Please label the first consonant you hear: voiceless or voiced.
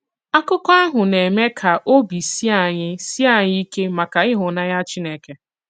voiceless